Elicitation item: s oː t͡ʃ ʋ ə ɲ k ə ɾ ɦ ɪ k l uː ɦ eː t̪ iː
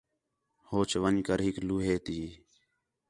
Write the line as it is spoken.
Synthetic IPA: h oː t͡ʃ ʋ ə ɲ k ə ɾ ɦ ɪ k l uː ɦ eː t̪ iː